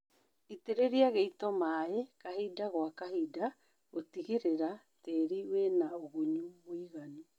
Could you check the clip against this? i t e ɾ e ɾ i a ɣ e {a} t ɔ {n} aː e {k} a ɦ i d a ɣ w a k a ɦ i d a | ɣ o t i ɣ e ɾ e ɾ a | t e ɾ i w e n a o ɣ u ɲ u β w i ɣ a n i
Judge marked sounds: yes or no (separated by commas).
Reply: no, no, yes